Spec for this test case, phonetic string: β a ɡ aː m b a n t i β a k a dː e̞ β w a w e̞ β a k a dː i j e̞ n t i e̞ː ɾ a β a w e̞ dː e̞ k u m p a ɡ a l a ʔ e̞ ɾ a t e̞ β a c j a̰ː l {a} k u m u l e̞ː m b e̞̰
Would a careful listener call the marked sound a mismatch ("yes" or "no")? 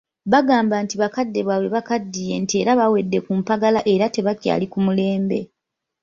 yes